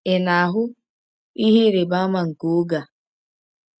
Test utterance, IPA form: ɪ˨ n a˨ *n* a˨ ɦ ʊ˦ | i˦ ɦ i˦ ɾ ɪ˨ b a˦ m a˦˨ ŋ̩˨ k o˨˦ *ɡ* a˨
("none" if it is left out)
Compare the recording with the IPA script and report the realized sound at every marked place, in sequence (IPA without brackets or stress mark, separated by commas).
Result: none, ɡ